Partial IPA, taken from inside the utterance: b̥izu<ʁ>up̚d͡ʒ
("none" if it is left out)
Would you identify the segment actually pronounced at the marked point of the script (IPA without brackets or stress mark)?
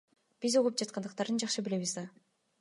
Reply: ʁ